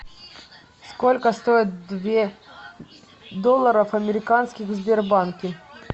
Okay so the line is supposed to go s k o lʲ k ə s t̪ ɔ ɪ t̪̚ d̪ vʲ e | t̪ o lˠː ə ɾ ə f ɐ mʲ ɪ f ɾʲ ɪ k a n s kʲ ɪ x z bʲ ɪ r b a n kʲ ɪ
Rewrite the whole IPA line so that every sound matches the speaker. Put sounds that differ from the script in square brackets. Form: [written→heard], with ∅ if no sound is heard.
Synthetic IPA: s k o lʲ k ə s t̪ [ɔ→o] ɪ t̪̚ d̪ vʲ e | [t̪→d̪] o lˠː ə ɾ ə f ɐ mʲ ɪ [f→∅] ɾʲ ɪ k a n s kʲ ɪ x z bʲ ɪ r b a n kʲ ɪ